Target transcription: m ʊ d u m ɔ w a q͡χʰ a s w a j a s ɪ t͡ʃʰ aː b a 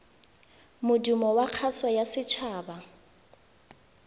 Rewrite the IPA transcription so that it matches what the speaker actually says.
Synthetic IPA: m ʊ d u m ɔ w a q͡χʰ a s w a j a s ɪ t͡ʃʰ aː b a

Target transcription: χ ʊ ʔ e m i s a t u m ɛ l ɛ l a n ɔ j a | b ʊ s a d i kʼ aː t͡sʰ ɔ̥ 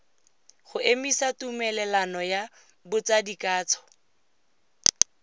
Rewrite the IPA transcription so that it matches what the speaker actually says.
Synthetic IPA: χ ʊ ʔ e m i s a t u m ɛ l ɛ l a n ɔ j a | b ʊ t͡s a d i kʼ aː t͡sʰ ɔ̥

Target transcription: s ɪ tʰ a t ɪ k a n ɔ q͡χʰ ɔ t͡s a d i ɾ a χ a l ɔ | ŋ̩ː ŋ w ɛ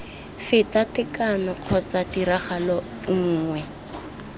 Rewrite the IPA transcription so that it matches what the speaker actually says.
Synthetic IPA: f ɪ t a t ɪ k a n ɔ q͡χʰ ɔ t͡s a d i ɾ a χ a l ɔ | ŋ̩ː ŋ w ɛ

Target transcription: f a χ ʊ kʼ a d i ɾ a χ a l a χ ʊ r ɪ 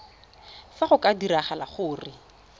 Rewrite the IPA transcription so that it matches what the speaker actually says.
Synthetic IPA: f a χ ʊ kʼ a d i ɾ a χ a l a χ ʊː r ɪ

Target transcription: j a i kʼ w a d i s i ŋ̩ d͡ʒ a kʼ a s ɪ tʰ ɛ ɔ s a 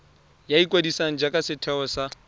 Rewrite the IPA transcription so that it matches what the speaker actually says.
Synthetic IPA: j a i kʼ w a d i s a ŋ̩ d͡ʒ a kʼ a s ɪ tʰ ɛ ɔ s a

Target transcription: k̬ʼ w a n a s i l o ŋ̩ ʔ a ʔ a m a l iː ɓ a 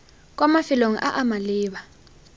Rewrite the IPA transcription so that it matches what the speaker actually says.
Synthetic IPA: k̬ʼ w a m a f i l o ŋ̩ ʔ a ʔ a m a l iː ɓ a

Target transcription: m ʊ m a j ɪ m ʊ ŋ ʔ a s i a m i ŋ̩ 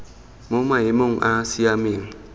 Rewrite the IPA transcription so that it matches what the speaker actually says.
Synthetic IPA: m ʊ m a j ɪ m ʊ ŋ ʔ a s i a m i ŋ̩

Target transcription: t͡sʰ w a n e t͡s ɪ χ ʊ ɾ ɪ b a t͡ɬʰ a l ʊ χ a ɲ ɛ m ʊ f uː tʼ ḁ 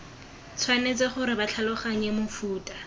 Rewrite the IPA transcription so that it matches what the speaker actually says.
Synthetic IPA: t͡sʰ w a n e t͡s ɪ χ ʊ ɾ ɪ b a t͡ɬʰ a l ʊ χ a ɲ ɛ m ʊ f uː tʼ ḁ

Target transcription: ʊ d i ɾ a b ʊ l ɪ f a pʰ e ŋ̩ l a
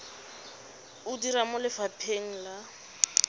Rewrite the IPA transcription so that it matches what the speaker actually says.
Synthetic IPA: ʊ d i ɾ a m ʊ l ɪ f a pʰ e ŋ̩ l a

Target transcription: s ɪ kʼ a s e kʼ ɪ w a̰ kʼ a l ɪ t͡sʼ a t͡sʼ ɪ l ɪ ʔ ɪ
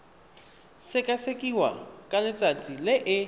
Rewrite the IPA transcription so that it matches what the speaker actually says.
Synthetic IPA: s ɪ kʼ a s e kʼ i w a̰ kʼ a l ɪ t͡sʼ a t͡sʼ i l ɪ ʔ ɪ

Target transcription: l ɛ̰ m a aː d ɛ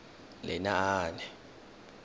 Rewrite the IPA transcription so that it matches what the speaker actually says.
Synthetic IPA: l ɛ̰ n a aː n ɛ

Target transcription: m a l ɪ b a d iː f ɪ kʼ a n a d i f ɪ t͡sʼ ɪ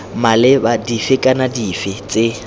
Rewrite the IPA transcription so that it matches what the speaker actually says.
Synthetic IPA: m a l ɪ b a d i f ɪ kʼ a n a d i f ɪ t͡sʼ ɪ

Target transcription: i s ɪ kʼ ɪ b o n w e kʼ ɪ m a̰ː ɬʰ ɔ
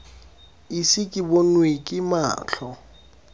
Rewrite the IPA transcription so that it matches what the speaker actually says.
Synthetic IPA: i s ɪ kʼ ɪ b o n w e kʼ ɪ m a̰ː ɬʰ ɔ

